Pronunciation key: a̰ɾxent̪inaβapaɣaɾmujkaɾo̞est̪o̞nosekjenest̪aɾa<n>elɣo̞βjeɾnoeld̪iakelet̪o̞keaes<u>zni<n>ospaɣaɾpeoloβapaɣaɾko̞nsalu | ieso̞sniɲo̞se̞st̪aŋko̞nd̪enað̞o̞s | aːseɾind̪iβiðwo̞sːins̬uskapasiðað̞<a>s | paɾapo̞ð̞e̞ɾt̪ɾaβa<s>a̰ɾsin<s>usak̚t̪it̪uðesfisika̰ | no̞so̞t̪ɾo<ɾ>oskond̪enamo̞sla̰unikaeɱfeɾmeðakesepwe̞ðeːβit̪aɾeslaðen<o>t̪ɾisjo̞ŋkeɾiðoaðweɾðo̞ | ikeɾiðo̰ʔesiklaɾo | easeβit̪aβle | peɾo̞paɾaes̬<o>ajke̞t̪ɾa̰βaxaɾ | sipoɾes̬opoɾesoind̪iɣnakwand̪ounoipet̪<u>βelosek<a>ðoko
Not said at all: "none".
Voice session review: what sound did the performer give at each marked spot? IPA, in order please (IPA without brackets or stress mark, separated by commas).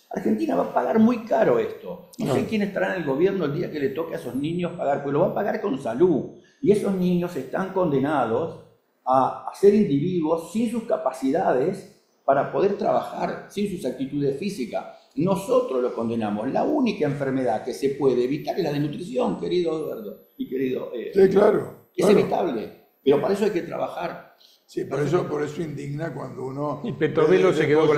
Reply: n, o, ɲ, e, x, s, l, u, o, o, e